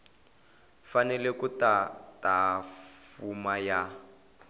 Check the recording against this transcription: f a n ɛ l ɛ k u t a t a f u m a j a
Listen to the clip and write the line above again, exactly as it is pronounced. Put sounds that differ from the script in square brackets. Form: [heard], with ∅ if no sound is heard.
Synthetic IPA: f a n ɛ l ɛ k u t a t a f u m a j a